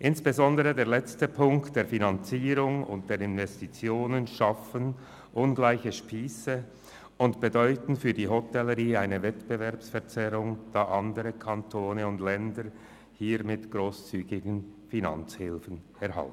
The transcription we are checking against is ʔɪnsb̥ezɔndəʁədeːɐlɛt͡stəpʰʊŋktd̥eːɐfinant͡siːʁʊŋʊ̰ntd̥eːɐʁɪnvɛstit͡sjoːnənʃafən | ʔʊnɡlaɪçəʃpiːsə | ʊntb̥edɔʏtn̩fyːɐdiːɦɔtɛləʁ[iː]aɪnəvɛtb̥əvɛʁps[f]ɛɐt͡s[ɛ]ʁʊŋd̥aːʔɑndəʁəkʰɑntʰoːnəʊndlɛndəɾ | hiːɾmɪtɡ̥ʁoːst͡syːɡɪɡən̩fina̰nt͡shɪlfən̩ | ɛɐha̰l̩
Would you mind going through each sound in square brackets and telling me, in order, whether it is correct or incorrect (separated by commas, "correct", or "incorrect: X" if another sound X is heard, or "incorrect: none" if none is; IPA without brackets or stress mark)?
correct, correct, correct